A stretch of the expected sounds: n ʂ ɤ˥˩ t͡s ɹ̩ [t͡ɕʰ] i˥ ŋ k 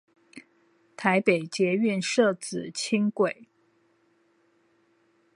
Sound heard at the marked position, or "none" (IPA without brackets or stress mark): t͡ɕʰ